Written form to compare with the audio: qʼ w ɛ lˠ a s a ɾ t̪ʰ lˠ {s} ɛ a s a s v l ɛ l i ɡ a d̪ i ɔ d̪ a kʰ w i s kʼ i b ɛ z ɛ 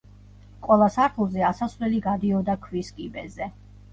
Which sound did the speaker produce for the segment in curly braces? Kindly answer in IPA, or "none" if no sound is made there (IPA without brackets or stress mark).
z